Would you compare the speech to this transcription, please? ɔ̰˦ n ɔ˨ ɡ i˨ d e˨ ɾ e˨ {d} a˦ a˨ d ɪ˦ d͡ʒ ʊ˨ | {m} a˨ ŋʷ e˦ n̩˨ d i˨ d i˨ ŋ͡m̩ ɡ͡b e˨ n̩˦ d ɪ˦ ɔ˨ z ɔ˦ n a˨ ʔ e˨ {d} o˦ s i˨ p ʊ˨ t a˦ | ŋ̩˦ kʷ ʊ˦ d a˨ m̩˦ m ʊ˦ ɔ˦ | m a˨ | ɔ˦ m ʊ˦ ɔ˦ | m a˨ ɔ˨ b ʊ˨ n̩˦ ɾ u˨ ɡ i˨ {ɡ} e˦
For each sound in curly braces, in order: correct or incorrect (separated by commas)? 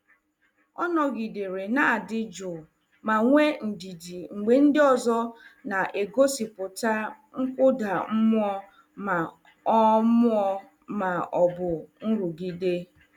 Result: incorrect, correct, incorrect, incorrect